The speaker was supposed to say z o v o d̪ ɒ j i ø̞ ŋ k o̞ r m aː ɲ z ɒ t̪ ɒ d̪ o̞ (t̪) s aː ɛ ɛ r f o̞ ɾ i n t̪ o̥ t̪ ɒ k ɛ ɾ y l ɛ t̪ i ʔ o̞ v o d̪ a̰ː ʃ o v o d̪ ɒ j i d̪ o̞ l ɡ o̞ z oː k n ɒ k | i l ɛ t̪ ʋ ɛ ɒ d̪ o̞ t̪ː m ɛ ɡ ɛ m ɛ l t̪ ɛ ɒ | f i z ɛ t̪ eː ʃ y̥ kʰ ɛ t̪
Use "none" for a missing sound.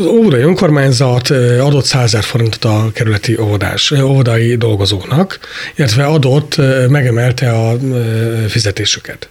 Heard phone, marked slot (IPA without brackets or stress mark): t̪